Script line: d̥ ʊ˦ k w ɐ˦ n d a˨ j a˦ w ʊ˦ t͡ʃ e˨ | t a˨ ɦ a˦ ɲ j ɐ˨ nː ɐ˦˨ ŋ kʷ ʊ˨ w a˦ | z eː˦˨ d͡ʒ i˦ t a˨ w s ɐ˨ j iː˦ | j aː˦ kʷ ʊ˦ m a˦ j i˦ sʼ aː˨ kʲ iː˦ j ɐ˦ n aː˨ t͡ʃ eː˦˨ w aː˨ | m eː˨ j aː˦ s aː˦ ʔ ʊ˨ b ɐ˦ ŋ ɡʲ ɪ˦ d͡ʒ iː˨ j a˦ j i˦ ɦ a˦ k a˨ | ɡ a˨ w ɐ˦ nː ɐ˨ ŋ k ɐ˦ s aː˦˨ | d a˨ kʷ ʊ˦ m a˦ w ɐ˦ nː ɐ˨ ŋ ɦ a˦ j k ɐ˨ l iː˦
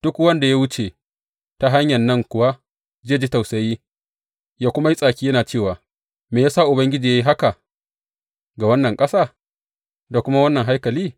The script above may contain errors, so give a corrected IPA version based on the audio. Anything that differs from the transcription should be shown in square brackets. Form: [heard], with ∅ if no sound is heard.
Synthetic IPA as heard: d̥ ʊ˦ k w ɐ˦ n d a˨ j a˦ w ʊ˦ t͡ʃ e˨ | t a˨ ɦ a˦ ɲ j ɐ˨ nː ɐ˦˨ ŋ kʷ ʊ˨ w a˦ | z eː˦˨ d͡ʒ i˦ t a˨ w s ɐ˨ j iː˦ | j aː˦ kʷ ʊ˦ m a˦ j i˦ sʼ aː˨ kʲ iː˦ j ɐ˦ n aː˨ t͡ʃ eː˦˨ w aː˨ | m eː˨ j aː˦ s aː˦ ʔ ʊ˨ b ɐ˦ ŋ ɡʲ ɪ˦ d͡ʒ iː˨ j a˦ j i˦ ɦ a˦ k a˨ | ɡ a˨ w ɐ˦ nː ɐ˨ ŋ [kʼ] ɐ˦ s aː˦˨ | d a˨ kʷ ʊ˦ m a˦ w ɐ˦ nː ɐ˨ ŋ ɦ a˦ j k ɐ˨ l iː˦

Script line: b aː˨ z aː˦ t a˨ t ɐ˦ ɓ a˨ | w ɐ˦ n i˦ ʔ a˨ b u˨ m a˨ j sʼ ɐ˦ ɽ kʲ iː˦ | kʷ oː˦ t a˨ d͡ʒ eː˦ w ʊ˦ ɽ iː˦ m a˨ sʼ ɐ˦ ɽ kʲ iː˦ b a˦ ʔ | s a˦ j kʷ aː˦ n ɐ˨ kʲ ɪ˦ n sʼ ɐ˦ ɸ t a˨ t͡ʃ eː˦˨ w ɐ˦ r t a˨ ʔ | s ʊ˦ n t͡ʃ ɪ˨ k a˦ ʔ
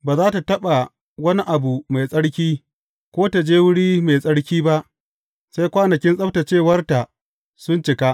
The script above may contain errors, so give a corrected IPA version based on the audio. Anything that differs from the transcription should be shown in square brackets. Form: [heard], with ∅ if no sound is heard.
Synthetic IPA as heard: b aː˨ z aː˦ t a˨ t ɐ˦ ɓ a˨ | w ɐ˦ n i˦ ʔ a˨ b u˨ m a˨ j sʼ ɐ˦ ɽ kʲ iː˦ | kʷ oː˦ t a˨ d͡ʒ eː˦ w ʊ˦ ɽ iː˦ m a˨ sʼ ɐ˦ ɽ kʲ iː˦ b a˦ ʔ | s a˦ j kʷ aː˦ n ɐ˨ kʲ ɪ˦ n sʼ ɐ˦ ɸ t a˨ t͡ʃ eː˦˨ w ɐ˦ r t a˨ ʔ | s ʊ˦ n t͡ʃ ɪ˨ k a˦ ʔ

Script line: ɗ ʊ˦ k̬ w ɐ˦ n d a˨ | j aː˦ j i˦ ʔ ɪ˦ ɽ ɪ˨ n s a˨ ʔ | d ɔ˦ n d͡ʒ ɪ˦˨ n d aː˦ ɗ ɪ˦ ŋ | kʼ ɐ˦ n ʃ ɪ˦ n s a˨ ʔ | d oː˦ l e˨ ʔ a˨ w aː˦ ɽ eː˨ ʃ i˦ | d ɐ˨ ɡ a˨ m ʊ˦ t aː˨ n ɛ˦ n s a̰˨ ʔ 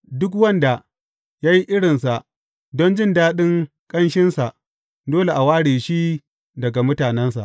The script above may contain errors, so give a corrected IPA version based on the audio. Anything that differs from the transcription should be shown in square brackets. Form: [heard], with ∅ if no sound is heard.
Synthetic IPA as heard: [d] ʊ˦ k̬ w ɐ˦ n d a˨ | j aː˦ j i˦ ʔ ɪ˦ ɽ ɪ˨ n s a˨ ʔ | d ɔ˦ n d͡ʒ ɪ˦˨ n d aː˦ ɗ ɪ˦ ŋ | kʼ ɐ˦ n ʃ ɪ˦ n s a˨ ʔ | d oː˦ l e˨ ʔ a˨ w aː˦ ɽ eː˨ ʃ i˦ | d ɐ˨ ɡ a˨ m ʊ˦ t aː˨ n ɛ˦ n s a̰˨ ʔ

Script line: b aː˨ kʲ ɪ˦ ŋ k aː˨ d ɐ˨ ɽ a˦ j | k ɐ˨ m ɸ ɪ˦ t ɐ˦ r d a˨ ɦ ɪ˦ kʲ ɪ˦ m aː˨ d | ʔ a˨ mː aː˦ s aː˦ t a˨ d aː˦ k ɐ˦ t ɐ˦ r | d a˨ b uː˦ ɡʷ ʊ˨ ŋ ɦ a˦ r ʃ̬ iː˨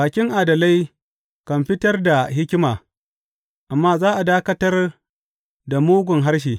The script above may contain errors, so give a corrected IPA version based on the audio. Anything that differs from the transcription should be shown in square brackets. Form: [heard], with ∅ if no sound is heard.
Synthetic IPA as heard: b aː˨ kʲ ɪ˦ ŋ [ʔ] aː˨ d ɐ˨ [l] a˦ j | k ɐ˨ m ɸ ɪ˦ t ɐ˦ r d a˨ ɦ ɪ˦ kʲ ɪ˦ m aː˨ [∅] | ʔ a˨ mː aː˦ [z] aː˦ [ʔ] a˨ d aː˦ k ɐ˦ t ɐ˦ r | d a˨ [m] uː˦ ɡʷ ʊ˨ ŋ ɦ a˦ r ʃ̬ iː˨

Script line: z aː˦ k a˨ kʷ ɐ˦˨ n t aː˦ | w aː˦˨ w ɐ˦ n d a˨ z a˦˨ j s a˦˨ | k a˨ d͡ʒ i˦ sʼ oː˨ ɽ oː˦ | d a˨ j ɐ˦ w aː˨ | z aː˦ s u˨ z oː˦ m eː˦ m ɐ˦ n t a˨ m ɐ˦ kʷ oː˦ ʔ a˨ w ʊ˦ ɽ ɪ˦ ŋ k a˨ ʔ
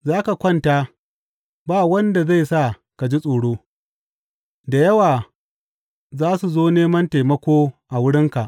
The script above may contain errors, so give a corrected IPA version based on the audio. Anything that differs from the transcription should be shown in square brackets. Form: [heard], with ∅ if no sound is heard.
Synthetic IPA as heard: z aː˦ k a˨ kʷ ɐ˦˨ n t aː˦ | [b] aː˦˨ w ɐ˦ n d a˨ z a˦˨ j s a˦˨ | k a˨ d͡ʒ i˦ sʼ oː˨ ɽ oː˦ | d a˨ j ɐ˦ w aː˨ | z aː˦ s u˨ z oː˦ [n] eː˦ m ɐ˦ n t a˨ m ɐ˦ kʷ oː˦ ʔ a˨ w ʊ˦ ɽ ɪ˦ ŋ k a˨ ʔ

